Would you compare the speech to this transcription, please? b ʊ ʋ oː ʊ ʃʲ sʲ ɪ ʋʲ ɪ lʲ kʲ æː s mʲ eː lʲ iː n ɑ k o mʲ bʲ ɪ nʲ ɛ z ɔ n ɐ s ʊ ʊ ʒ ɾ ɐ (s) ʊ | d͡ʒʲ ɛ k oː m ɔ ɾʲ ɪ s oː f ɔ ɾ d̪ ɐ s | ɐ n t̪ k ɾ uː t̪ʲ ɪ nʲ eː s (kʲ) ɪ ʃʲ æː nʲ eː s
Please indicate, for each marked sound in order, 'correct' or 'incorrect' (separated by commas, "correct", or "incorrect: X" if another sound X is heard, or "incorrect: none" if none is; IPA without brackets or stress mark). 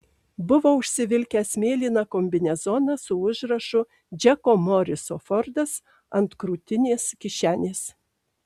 incorrect: ʃ, correct